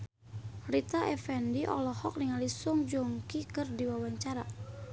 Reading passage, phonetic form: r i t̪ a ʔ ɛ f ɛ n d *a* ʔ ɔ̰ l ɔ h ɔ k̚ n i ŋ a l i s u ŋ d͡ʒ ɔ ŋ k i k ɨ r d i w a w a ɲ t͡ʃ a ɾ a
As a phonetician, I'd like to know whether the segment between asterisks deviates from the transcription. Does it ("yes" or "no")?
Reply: yes